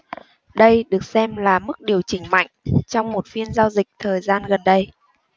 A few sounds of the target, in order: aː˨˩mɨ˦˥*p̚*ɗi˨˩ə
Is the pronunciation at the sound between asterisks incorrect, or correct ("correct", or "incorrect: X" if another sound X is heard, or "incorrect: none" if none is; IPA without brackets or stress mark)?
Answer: incorrect: k̚